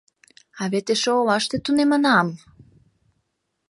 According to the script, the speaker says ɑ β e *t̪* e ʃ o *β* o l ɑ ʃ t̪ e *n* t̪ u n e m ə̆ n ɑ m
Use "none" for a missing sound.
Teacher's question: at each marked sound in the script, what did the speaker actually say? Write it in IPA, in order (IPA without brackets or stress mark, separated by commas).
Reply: t̪, none, none